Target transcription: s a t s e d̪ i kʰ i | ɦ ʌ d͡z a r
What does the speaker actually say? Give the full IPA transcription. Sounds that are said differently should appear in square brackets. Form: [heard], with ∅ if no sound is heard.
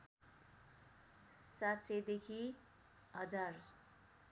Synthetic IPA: s a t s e d̪ [e] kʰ i | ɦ ʌ d͡z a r